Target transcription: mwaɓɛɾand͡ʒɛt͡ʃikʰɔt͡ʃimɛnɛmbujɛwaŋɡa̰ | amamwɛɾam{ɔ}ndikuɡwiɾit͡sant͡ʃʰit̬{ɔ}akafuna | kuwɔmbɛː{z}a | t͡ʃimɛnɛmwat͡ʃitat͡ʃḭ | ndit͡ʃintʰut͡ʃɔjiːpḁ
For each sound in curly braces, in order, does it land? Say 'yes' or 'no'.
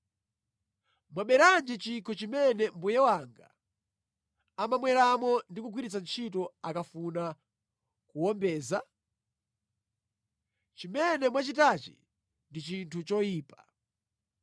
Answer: yes, yes, yes

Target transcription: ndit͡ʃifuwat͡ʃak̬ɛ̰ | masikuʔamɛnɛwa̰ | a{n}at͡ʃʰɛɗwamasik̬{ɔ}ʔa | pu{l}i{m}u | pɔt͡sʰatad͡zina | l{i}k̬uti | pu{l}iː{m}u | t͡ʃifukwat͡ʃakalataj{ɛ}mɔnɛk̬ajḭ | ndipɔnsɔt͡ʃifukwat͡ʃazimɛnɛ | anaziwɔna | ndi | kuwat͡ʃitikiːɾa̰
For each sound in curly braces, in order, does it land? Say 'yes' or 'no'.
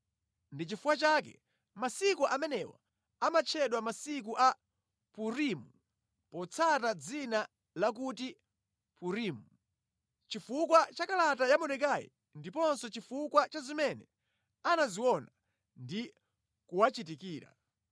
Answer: no, no, no, yes, no, no, yes, no

